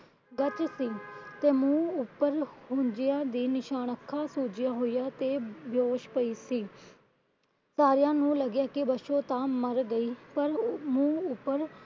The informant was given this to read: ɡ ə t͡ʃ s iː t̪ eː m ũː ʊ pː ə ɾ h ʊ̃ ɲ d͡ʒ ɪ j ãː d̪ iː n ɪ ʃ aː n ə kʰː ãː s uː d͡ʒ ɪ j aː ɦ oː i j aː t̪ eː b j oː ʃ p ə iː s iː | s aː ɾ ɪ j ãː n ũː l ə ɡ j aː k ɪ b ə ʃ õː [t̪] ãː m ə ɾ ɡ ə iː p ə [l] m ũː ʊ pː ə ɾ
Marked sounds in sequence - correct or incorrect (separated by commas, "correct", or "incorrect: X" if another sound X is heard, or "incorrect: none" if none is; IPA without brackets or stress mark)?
correct, incorrect: ɾ